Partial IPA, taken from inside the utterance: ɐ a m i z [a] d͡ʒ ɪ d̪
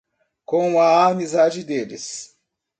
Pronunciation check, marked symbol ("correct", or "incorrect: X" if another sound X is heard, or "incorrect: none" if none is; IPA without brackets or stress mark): correct